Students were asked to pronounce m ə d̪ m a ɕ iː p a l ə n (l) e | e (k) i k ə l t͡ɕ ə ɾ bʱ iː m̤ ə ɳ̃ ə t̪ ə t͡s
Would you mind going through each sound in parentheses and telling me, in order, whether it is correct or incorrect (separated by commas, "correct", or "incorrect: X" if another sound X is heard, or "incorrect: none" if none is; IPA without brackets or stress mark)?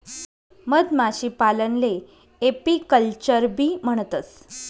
correct, incorrect: p